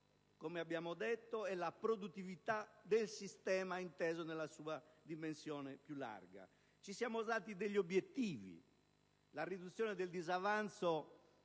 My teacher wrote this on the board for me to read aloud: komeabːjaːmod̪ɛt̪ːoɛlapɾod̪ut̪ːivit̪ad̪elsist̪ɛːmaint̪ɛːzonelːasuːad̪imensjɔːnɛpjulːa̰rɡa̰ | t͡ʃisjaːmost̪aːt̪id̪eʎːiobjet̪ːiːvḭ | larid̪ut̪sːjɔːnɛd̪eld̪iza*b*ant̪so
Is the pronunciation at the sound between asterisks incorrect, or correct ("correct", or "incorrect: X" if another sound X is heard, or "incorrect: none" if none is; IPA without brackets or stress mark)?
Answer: incorrect: v